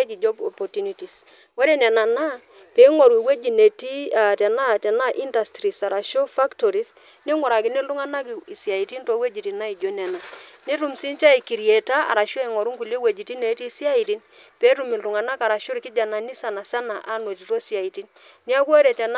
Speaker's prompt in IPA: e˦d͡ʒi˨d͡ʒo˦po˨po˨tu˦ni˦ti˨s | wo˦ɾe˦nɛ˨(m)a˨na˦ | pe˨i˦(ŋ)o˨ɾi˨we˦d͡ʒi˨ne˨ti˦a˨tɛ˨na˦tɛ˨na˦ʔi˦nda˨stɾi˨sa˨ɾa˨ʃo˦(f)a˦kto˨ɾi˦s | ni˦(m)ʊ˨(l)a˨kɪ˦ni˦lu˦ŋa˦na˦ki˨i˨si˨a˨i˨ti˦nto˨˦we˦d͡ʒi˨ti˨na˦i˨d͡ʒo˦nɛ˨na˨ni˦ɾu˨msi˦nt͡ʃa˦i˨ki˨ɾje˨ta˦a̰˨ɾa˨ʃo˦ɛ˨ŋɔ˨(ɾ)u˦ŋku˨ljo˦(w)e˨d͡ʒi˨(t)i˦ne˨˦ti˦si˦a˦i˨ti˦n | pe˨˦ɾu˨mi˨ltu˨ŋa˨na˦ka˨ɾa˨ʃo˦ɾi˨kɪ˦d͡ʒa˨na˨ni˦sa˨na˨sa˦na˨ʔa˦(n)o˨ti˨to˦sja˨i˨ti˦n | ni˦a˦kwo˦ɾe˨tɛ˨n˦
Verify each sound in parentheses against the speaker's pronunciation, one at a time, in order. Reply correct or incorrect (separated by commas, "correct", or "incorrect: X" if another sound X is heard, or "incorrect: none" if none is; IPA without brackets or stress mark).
incorrect: n, correct, correct, incorrect: ŋ, incorrect: ɾ, correct, correct, correct, correct